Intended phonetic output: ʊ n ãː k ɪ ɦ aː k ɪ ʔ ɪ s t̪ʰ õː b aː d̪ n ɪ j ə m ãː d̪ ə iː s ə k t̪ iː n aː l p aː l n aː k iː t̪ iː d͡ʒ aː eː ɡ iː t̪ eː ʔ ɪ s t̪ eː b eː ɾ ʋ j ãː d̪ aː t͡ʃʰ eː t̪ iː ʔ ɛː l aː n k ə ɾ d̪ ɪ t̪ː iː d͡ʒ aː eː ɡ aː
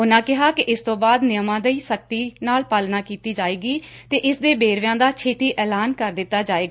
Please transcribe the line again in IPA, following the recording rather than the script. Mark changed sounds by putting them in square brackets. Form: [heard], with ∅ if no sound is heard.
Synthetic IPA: ʊ n ãː k ɪ ɦ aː k ɪ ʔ ɪ s [t̪] õː b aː d̪ n ɪ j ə m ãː d̪ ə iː s ə k t̪ iː n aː l p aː l n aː k iː t̪ iː d͡ʒ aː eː ɡ iː t̪ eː ʔ ɪ s [d̪] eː b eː ɾ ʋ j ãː d̪ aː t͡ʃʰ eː t̪ iː ʔ ɛː l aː n k ə ɾ d̪ ɪ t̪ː [aː] d͡ʒ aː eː ɡ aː